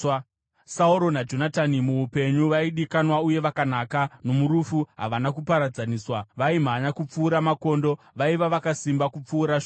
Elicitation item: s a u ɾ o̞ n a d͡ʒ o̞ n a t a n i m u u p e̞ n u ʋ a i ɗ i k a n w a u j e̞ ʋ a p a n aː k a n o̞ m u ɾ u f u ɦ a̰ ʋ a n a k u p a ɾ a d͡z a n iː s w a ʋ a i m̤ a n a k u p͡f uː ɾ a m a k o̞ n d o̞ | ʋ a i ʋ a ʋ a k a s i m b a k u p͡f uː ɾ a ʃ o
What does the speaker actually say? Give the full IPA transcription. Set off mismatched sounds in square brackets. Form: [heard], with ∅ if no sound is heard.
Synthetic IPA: s a u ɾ o̞ n a d͡ʒ o̞ n a t a n i m u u p e̞ [ɲ] u ʋ a i ɗ i k a n w a u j e̞ ʋ a [k] a n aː k a n o̞ m u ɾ u f u ɦ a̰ ʋ a n a k u p a ɾ a d͡z a n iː s w a ʋ a i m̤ a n a k u p͡f uː ɾ a m a k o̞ n d o̞ | ʋ a i ʋ a ʋ a k a s i m b a k u p͡f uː ɾ a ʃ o